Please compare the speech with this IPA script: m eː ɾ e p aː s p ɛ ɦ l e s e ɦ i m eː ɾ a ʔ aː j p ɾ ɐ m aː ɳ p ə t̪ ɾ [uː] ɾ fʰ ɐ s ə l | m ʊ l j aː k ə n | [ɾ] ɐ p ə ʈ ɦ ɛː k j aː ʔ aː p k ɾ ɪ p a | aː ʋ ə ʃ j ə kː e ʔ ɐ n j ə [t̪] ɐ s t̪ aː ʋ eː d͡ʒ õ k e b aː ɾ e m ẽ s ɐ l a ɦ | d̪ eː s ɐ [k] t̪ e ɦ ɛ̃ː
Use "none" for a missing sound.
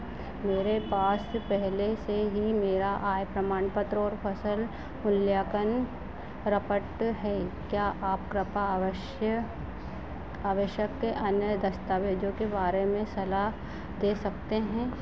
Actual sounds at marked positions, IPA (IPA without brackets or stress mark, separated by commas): ɔː, ɾ, d̪, k